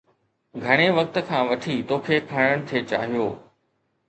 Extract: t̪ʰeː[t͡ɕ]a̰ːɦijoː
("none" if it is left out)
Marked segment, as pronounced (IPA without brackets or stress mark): t͡ɕ